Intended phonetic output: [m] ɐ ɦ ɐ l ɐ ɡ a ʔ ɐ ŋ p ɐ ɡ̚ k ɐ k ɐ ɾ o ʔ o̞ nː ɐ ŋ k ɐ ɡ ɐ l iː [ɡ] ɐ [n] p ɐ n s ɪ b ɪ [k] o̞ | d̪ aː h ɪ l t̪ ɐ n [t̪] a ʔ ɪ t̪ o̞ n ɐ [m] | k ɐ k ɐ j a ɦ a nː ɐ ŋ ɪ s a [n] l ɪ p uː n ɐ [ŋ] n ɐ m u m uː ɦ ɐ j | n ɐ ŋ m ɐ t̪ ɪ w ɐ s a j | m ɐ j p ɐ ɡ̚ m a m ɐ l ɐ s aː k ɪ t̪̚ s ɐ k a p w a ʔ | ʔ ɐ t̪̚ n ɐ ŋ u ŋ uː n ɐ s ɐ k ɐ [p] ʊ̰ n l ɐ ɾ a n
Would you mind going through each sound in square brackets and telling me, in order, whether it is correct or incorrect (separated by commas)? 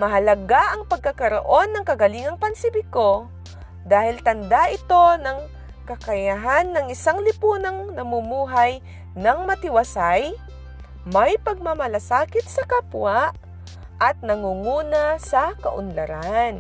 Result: correct, incorrect, incorrect, correct, incorrect, incorrect, incorrect, correct, incorrect